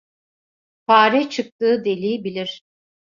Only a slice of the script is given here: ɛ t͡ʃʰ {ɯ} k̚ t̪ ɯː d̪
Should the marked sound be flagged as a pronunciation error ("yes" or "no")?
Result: no